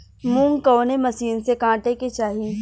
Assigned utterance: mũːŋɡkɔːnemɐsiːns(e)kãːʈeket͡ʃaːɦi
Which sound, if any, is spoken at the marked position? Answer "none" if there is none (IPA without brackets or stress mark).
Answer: e